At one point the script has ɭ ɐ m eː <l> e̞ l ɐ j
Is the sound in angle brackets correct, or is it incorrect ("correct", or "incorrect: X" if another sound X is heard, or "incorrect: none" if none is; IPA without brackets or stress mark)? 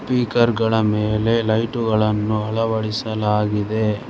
correct